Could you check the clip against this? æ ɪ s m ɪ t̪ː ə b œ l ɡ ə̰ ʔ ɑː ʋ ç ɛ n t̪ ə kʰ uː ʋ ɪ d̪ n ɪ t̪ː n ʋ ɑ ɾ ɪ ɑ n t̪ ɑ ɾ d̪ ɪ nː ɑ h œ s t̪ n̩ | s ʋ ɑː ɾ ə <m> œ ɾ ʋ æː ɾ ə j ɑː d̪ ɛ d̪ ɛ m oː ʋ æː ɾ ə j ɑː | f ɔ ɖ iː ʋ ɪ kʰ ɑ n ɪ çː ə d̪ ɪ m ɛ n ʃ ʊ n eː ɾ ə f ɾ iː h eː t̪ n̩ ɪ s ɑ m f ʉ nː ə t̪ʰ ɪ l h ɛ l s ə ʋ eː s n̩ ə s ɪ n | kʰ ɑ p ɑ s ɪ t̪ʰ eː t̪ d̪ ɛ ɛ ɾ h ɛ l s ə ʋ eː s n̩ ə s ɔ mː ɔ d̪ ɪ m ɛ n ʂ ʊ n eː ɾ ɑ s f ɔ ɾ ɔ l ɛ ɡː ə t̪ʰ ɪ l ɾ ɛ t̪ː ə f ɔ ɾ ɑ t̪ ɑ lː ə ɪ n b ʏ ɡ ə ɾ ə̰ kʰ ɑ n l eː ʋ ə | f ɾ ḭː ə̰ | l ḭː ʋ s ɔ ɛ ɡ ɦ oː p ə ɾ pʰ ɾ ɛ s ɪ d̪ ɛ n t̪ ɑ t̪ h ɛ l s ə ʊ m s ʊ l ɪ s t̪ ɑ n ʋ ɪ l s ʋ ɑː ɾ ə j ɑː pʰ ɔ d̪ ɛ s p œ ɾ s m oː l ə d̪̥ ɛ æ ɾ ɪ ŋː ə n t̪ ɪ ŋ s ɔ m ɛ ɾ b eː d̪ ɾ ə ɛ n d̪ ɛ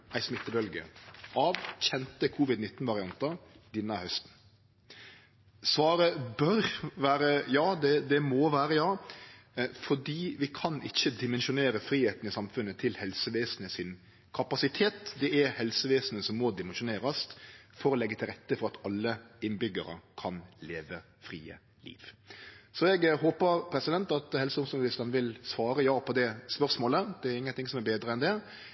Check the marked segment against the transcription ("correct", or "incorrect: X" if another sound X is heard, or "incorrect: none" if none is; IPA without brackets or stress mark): incorrect: b